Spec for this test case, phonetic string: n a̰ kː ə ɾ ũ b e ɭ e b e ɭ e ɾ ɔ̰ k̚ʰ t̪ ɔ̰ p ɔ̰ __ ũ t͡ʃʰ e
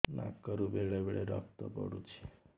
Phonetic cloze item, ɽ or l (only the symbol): ɽ